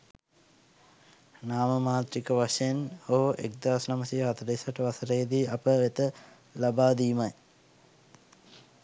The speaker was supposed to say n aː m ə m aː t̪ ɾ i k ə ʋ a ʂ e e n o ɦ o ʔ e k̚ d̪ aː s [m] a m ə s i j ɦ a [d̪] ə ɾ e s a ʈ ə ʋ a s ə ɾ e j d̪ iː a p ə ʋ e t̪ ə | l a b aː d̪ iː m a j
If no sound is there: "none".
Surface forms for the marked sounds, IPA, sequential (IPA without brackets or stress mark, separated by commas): n, t̪